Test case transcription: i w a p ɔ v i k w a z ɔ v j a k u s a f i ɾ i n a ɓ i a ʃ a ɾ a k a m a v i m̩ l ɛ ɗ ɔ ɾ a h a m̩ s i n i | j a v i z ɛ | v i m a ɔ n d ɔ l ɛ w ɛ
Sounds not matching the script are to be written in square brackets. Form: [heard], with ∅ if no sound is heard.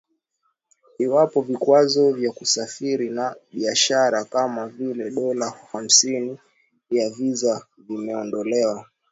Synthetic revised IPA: i w a p ɔ v i k w a z ɔ v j a k u s a f i ɾ i n a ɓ i a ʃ a ɾ a k a m a v i [∅] l ɛ ɗ ɔ [l] a h a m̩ s i n i | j a v i z [a] | v i m [ɛ] ɔ n d ɔ l ɛ w [a]